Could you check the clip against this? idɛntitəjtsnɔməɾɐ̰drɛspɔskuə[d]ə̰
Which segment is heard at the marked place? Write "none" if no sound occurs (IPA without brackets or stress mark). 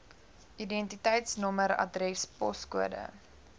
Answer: d